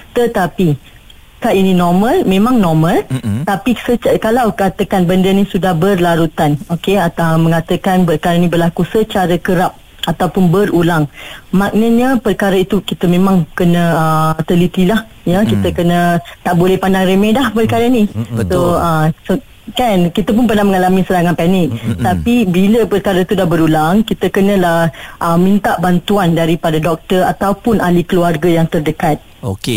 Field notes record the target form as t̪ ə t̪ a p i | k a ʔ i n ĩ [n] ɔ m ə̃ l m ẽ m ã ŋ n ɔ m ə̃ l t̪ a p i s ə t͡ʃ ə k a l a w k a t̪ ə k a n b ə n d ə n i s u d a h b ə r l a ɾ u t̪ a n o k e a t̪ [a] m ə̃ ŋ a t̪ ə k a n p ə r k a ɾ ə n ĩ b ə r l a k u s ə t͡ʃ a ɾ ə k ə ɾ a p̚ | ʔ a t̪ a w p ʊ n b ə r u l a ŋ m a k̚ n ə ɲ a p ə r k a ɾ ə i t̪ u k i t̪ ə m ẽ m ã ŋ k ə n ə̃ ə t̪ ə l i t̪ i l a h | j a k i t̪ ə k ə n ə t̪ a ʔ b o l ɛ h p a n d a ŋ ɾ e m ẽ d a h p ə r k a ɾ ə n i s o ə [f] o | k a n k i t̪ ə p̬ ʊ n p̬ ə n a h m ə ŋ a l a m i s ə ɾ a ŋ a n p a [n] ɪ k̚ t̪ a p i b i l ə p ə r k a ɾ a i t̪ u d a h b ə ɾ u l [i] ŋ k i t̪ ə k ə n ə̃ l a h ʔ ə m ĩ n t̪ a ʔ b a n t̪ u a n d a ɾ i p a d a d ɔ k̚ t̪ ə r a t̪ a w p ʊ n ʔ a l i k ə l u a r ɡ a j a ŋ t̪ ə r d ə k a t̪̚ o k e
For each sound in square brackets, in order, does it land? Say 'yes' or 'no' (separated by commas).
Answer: yes, yes, no, yes, no